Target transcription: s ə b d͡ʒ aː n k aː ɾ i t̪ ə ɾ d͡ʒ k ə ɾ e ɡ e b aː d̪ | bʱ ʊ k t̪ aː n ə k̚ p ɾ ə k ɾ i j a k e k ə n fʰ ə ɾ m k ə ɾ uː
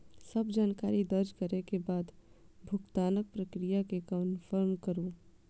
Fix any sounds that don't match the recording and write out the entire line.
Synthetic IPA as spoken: s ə b d͡ʒ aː n k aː ɾ i d̪ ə ɾ d͡ʒ k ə ɾ e k e b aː d̪ | bʱ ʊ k t̪ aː n ə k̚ p ɾ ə k ɾ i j a k e k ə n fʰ ə ɾ m k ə ɾ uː